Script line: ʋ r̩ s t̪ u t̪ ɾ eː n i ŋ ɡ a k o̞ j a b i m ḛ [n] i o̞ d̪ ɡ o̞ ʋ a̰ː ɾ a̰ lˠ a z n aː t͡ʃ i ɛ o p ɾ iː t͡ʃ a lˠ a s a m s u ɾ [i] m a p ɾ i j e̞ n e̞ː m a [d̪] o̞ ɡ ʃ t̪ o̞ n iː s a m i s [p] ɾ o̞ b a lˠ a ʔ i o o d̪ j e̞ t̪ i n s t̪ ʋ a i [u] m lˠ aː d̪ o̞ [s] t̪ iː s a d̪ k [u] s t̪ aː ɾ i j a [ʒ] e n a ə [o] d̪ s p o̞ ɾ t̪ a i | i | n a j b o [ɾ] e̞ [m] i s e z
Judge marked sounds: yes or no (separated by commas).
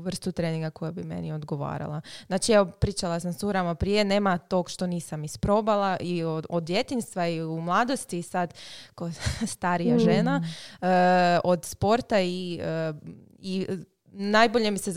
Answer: yes, no, no, yes, yes, yes, no, yes, yes, no, yes